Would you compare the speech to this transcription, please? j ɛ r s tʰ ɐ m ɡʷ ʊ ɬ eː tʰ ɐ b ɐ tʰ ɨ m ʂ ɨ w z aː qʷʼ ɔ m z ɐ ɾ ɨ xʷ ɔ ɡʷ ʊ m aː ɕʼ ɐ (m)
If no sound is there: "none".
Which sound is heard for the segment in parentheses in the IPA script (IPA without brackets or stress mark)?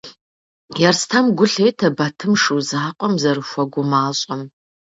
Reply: m